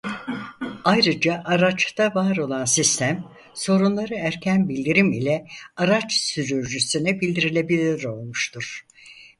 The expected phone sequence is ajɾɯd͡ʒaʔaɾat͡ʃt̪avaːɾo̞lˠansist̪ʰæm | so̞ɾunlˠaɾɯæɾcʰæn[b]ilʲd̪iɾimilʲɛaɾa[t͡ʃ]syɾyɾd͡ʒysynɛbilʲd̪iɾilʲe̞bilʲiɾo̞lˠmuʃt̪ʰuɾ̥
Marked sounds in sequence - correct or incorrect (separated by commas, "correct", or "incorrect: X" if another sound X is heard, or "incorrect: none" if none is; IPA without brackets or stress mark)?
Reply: correct, correct